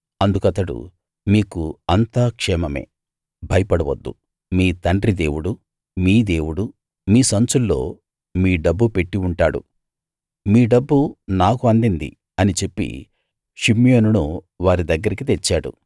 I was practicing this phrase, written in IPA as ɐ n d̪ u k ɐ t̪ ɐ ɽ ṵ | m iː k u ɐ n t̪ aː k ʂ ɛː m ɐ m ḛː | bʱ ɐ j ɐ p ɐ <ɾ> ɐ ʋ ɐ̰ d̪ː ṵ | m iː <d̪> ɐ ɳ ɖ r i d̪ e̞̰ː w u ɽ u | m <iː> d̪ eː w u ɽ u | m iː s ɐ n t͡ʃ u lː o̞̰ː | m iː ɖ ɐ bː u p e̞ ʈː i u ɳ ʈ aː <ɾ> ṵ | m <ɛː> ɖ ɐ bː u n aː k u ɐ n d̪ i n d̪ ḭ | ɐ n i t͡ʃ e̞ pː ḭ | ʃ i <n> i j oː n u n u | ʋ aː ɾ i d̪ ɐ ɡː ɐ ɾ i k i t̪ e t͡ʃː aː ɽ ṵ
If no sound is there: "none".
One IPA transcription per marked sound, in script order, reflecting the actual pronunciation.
ɽ, t̪, iː, ɽ, iː, m

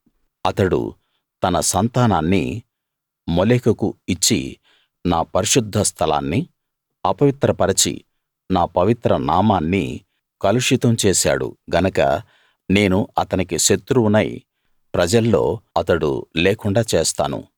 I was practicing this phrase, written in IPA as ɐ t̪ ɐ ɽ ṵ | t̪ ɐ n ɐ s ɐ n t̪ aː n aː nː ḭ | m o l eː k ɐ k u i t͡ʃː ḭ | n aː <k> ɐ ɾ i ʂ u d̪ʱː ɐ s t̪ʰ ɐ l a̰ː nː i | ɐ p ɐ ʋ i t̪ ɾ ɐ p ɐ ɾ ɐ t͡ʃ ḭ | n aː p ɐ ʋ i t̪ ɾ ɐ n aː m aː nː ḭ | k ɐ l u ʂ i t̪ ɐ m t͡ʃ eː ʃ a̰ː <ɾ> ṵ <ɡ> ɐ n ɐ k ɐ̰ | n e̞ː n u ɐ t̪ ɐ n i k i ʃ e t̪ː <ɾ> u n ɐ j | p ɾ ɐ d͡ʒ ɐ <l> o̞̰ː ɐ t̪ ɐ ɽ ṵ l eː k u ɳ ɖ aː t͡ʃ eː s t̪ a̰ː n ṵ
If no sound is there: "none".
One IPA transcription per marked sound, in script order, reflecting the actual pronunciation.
p, ɽ, ɡ, ɾ, lː

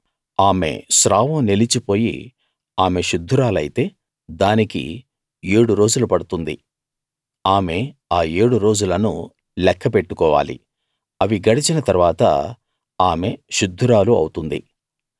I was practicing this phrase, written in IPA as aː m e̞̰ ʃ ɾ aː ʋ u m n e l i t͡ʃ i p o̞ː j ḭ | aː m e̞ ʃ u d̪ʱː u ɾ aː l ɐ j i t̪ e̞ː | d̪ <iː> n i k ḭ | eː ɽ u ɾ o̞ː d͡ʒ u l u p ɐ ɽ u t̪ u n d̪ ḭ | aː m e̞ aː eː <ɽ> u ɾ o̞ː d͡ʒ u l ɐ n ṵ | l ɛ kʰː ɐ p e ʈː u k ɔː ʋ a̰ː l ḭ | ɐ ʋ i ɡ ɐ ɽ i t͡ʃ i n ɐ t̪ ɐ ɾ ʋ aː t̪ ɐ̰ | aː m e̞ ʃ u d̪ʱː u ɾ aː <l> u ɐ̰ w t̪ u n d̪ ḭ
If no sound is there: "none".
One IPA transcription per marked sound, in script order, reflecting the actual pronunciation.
aː, ɽ, l

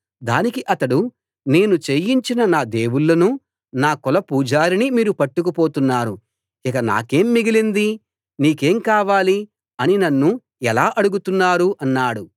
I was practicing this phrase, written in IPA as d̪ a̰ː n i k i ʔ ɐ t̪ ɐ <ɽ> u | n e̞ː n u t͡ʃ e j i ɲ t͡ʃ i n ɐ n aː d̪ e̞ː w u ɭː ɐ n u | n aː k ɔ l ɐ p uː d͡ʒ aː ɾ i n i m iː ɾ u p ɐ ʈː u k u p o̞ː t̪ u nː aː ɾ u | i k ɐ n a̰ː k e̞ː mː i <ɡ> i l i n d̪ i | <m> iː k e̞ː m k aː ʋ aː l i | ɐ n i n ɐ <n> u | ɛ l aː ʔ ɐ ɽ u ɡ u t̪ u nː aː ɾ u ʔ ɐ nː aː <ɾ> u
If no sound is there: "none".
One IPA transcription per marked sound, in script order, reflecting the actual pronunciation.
ɽ, ɡ, n, nː, ɽ

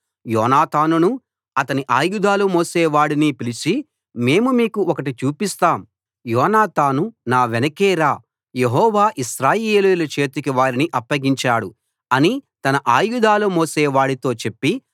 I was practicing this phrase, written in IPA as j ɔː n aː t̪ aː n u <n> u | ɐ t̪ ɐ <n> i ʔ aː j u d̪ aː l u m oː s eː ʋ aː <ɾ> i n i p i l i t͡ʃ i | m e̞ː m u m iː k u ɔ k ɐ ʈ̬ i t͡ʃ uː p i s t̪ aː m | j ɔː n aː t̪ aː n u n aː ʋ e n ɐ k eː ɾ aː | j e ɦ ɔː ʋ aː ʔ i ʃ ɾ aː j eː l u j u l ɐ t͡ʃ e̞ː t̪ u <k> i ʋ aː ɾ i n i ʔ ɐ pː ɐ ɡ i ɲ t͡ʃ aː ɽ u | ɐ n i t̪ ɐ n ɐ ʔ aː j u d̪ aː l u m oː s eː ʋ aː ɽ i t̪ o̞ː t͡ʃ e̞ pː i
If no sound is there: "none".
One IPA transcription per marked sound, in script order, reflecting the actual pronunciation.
n, n, ɽ, k

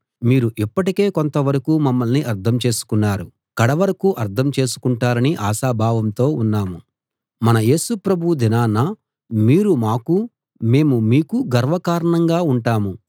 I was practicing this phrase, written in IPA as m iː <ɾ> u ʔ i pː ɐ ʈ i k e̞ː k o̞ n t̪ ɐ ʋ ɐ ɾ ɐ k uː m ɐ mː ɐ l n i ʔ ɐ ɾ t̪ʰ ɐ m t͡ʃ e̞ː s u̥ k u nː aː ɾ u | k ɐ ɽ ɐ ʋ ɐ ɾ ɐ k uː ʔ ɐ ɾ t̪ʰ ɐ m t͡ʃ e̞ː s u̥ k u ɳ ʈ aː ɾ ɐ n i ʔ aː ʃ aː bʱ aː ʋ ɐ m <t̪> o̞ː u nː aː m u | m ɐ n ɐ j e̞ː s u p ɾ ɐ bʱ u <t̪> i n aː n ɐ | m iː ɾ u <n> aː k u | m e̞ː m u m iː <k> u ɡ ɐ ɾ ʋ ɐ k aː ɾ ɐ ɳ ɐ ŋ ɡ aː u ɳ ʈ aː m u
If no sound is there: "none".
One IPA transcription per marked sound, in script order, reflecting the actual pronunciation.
ɾ, t̪, d̪, m, k

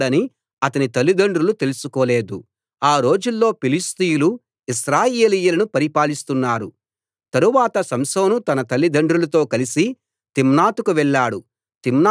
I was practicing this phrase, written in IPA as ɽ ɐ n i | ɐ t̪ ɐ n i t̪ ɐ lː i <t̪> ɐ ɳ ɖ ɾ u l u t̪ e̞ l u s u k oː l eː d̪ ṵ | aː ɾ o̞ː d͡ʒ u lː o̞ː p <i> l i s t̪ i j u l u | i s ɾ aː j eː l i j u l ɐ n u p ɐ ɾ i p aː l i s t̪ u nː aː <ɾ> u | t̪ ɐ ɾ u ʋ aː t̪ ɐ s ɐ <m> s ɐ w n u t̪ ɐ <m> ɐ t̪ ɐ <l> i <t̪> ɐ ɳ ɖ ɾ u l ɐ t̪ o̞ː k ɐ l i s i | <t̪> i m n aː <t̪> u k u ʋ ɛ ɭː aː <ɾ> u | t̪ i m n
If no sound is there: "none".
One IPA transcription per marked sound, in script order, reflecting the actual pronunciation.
d̪, i, ɾ, m, n, lː, d̪, t̪, t̪, ɽ

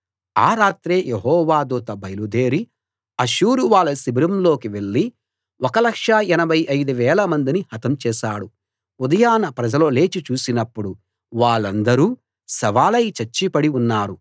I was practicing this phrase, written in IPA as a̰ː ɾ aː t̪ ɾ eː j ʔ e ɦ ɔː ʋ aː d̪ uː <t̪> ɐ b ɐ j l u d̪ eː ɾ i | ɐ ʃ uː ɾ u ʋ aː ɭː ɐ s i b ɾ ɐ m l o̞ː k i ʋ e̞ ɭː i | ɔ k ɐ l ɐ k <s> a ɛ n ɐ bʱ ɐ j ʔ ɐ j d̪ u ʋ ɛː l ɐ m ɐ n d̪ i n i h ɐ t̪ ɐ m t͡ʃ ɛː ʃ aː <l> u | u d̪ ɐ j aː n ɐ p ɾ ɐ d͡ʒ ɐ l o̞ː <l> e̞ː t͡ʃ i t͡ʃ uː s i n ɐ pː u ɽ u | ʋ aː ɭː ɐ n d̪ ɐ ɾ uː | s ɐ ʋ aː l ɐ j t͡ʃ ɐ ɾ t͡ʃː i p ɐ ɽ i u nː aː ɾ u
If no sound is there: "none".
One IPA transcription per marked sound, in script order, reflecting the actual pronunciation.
t̪, ʂ, ɽ, l

